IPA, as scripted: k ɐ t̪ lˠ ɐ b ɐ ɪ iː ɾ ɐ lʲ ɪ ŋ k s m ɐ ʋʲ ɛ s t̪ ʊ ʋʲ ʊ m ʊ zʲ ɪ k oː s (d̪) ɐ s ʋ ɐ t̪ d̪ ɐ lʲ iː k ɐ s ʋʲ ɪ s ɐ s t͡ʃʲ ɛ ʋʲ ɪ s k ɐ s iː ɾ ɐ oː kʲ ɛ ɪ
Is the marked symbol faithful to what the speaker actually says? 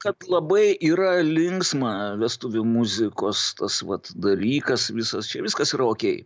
no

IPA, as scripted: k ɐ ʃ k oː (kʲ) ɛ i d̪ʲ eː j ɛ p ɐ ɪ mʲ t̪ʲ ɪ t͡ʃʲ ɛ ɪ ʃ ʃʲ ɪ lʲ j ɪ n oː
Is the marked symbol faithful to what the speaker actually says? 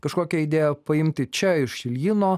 yes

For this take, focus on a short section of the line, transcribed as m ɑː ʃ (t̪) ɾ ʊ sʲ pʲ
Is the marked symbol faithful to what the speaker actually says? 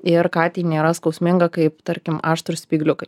yes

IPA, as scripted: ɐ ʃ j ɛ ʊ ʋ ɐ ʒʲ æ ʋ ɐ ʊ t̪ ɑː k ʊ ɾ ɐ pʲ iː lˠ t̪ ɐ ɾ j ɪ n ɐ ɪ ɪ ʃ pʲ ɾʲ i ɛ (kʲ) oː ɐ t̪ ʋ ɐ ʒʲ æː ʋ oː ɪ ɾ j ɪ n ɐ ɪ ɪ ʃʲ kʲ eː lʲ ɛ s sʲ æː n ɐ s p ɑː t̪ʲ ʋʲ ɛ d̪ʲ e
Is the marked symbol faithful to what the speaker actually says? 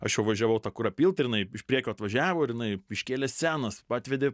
yes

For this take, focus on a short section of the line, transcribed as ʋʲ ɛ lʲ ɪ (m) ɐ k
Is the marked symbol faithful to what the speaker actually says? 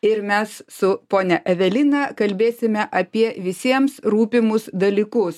no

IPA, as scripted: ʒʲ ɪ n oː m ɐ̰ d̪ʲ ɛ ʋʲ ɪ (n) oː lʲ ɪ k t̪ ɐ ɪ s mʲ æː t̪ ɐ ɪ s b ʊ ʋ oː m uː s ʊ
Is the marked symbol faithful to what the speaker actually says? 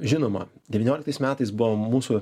yes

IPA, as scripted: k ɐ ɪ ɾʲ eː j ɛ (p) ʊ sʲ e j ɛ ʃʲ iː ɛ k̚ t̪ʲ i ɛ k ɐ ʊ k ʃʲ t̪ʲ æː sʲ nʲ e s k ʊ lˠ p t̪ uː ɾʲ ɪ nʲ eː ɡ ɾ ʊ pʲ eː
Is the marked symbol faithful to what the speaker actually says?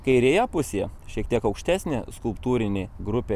yes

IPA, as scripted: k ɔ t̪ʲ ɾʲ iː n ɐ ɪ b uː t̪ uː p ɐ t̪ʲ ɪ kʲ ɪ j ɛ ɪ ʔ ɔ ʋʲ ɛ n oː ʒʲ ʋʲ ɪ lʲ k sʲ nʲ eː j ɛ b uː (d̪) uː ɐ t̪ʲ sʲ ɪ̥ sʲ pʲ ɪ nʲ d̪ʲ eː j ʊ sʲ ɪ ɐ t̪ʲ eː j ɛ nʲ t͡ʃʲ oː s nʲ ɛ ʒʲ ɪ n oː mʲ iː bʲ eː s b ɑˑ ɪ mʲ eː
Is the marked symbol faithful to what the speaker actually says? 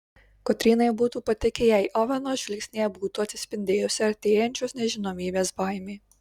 no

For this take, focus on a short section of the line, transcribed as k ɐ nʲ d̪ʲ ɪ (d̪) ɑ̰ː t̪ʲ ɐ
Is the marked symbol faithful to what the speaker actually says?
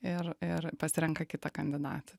yes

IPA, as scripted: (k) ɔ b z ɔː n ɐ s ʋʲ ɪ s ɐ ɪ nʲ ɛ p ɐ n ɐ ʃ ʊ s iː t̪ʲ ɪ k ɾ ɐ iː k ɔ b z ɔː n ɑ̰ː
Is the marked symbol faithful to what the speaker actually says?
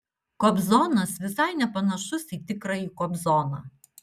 yes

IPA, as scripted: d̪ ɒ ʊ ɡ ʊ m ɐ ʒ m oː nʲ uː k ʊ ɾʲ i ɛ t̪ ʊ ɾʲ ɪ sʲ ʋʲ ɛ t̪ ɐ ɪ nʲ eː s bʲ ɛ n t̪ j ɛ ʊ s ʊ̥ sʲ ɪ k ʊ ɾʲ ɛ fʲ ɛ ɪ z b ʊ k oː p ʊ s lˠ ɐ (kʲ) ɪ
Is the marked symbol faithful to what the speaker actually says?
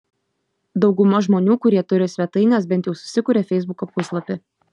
no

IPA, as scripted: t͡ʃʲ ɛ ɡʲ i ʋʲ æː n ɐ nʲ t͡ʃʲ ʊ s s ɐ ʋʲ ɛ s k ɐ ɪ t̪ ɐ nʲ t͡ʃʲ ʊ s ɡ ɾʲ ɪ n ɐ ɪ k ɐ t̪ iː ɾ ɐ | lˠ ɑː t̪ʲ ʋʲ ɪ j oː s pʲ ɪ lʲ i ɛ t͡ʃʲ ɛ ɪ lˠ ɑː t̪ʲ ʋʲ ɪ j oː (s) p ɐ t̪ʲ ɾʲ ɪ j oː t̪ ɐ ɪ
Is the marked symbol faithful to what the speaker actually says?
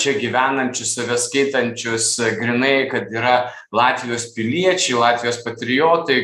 yes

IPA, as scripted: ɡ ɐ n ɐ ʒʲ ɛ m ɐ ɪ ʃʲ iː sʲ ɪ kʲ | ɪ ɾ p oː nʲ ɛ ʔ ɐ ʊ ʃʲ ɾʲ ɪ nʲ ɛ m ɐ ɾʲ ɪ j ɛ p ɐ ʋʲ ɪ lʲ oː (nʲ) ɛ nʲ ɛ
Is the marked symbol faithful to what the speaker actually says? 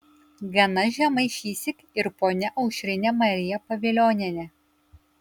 yes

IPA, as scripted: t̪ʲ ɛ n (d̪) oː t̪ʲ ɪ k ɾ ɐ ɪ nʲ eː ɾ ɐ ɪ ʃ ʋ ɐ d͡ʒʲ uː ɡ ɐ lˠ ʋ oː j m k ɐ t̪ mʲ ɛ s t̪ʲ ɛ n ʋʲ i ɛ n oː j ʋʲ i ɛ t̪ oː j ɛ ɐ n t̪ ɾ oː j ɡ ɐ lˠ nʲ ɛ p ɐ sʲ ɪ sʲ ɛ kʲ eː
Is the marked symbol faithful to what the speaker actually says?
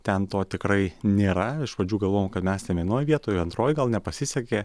no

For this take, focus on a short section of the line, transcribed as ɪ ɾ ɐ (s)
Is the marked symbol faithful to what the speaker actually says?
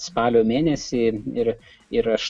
no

